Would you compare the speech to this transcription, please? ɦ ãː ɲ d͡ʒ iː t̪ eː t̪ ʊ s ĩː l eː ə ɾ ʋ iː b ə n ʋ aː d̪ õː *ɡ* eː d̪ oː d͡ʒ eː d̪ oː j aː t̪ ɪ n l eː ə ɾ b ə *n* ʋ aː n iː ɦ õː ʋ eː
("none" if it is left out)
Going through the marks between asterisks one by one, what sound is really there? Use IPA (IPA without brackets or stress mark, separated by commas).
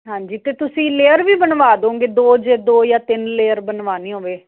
ɡ, n